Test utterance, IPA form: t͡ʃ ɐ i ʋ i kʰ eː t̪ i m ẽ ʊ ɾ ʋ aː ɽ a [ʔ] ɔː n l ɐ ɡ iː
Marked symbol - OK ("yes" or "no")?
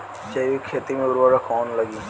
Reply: no